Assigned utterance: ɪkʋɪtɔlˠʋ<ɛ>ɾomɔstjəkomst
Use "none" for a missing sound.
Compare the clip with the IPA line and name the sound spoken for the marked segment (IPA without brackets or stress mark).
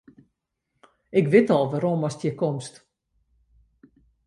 a